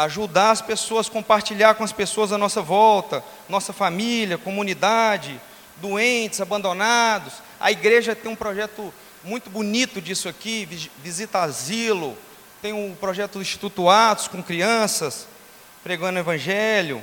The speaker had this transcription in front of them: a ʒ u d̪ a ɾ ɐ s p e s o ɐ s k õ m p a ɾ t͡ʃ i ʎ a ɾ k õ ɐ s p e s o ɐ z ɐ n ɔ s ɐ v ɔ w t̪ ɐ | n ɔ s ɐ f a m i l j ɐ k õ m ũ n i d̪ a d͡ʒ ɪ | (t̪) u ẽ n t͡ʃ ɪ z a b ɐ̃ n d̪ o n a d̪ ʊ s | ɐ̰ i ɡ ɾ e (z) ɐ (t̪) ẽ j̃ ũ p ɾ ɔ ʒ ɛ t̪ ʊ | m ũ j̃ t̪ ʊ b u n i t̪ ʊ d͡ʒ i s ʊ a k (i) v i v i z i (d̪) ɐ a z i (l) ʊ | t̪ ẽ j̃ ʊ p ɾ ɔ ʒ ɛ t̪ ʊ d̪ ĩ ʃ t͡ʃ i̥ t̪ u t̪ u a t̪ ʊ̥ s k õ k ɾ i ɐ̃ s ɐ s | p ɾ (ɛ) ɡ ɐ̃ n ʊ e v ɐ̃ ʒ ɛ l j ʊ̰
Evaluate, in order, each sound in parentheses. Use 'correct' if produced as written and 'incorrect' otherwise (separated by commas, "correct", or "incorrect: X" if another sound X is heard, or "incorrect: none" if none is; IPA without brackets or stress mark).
incorrect: d̪, incorrect: ʒ, correct, correct, incorrect: t̪, correct, incorrect: e